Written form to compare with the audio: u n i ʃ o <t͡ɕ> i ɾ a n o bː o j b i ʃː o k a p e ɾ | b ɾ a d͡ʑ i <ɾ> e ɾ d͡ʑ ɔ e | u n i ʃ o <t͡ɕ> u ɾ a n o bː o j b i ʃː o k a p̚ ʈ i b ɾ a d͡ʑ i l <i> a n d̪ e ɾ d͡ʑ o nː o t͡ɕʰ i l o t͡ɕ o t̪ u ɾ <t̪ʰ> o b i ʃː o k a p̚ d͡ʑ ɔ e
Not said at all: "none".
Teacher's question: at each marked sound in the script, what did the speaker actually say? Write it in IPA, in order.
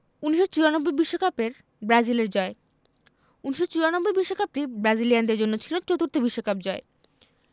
t͡ɕ, l, t͡ɕ, i, t̪

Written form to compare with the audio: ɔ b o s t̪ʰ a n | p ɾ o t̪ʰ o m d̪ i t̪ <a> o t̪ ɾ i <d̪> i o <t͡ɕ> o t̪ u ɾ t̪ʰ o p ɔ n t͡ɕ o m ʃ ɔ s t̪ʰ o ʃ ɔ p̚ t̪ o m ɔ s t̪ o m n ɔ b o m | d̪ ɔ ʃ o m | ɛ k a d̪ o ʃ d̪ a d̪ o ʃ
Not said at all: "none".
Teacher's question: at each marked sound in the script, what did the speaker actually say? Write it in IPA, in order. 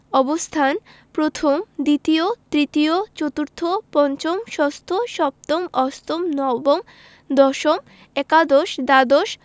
i, t̪, t͡ɕ

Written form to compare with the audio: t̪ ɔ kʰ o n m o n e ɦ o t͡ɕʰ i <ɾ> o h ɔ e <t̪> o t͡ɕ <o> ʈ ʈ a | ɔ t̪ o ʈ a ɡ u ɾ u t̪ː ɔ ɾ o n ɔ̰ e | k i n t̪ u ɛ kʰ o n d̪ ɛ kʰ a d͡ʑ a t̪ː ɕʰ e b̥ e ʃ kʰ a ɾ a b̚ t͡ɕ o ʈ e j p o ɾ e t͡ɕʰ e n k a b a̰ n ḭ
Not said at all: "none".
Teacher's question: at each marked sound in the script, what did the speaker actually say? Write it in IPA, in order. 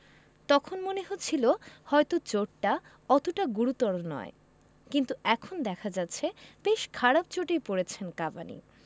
l, t̪, o

